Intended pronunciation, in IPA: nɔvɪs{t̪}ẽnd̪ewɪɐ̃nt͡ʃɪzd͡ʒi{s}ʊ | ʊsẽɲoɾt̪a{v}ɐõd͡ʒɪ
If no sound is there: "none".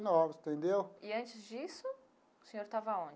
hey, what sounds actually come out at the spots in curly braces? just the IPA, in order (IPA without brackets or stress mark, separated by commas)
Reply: t̪, s, v